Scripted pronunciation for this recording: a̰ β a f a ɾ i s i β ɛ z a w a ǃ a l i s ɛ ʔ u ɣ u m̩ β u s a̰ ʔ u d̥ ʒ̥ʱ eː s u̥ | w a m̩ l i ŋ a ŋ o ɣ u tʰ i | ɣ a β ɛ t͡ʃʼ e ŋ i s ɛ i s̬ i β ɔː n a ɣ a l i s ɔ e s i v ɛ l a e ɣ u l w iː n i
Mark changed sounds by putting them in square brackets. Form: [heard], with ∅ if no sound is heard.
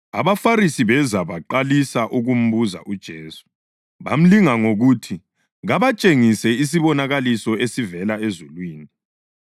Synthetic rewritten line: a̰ β a f a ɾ i s i β ɛ z a [β] a ǃ a l i s [a] ʔ u ɣ u m̩ β u [z] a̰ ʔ u d̥ ʒ̥ʱ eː s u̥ | [β] a m̩ l i ŋ a ŋ o ɣ u tʰ i | ɣ a β [a] t͡ʃʼ e ŋ i s ɛ i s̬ i β [ɔ] n a ɣ a l i s ɔ e s i v ɛ l a e [z] u l w iː n i